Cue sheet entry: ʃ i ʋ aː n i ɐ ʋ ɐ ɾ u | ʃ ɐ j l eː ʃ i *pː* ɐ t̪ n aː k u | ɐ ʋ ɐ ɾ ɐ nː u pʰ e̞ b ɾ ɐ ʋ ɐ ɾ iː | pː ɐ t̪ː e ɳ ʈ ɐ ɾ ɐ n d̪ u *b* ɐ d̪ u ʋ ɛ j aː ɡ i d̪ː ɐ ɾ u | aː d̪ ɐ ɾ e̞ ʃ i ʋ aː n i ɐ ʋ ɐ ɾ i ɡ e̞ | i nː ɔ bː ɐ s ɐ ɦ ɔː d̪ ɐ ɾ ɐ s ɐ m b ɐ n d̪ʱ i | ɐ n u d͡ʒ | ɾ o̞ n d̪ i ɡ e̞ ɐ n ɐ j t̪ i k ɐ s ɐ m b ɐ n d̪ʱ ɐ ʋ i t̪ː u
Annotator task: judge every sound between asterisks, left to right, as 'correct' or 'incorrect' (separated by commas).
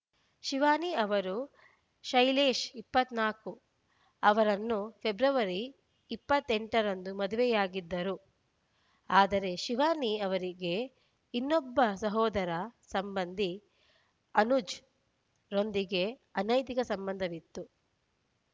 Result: correct, incorrect